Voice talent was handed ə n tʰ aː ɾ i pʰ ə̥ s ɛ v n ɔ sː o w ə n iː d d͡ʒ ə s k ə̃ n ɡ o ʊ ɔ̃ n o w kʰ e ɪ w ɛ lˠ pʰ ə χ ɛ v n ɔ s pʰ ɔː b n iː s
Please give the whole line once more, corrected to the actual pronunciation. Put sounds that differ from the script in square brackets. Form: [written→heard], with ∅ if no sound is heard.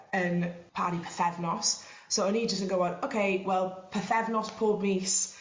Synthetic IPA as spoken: ə n [tʰ→pʰ] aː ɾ i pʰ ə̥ [s→θ] ɛ v n ɔ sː o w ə n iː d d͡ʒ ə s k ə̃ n ɡ o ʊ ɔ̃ n o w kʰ e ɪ w ɛ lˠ pʰ ə [χ→θ] ɛ v n ɔ s pʰ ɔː b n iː s